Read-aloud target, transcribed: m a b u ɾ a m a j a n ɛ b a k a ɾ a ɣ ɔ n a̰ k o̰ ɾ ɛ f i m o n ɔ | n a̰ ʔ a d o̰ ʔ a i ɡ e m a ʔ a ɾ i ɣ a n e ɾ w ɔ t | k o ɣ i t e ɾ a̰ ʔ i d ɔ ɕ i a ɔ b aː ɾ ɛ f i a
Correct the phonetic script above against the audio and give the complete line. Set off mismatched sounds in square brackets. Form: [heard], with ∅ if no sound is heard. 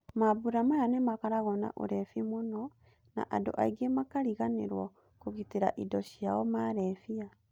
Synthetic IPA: m a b u ɾ a m a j a n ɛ [m] a k a ɾ a ɣ ɔ n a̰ [ʔ] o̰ ɾ ɛ f i m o n ɔ | n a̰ ʔ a d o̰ ʔ a i ɡ e m a [k] a ɾ i ɣ a n e ɾ w ɔ [∅] | k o ɣ i t e ɾ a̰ ʔ i d ɔ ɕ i a ɔ [m] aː ɾ ɛ f i a